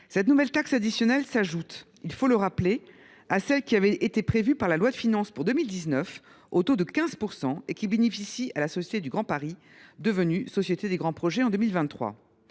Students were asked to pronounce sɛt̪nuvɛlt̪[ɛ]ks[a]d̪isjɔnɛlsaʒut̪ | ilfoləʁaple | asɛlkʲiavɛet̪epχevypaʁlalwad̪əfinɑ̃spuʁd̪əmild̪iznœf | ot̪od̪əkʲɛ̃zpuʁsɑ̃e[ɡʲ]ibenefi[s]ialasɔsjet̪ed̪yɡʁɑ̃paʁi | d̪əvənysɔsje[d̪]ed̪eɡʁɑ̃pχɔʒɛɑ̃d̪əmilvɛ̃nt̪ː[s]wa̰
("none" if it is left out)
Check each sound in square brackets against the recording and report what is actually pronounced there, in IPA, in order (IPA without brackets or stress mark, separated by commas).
a, a, kʲ, s, t̪, χ